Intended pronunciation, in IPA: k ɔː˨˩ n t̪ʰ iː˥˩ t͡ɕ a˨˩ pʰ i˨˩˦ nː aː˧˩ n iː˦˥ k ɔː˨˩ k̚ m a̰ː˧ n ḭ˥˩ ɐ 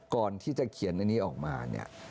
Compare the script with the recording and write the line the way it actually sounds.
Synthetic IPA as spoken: k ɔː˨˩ n t̪ʰ iː˥˩ t͡ɕ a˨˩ kʰ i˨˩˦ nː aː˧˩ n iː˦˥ ʔ ɔː˨˩ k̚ m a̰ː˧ n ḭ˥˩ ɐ